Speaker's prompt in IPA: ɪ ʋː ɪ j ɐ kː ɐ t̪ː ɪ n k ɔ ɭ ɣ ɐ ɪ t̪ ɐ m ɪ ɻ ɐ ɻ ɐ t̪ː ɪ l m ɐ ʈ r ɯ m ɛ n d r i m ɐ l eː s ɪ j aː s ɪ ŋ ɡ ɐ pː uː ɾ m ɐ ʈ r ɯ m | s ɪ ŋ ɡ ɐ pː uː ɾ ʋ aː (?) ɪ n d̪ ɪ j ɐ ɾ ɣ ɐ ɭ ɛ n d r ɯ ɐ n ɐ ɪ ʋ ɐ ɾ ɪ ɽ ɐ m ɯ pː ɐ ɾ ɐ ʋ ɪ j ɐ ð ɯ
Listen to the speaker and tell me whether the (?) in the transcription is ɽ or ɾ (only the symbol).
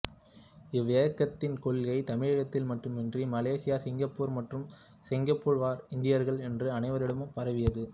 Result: ɾ